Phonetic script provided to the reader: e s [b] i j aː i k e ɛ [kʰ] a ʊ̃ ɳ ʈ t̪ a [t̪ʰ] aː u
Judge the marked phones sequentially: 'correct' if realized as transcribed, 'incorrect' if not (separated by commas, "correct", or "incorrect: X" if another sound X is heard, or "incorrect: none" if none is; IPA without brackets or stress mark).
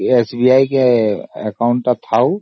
correct, incorrect: k, correct